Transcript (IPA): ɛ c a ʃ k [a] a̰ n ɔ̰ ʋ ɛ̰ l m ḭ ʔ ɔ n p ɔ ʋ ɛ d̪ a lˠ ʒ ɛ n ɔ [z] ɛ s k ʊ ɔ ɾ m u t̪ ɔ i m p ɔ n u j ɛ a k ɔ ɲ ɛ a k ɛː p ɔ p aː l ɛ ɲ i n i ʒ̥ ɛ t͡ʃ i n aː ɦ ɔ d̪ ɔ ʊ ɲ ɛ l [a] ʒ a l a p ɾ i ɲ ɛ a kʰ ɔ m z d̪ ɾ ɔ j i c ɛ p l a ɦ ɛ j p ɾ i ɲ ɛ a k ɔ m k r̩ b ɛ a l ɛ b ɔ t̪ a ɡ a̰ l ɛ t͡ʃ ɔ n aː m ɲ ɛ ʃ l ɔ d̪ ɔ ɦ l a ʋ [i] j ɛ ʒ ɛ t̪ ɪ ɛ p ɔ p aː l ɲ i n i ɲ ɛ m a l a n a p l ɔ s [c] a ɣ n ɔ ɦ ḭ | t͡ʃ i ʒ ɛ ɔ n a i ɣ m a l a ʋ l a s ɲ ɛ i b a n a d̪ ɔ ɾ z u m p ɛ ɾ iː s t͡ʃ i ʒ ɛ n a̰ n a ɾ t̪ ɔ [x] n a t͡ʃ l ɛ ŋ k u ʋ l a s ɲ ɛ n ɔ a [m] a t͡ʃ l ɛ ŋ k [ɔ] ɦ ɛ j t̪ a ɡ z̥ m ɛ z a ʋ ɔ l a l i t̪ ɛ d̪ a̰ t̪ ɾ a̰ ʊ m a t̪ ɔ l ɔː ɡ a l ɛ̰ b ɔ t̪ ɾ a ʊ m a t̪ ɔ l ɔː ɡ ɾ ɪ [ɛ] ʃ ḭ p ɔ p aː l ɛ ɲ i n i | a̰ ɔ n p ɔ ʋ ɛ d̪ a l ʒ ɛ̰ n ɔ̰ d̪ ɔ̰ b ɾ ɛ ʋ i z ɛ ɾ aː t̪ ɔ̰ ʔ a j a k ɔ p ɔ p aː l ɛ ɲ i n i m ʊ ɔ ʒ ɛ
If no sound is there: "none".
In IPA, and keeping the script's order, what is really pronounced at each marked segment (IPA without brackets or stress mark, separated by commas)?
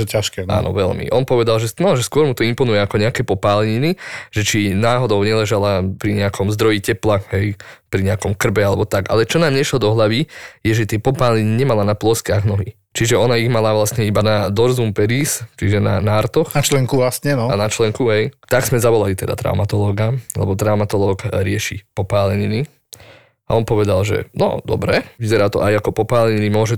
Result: ɛ, ʒ, ɛ, i, k, x, n, u, ɛ